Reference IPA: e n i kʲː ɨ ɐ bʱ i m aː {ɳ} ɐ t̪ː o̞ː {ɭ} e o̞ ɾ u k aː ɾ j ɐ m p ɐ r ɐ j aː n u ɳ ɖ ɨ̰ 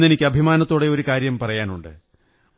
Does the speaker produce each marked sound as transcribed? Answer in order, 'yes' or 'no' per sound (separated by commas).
no, no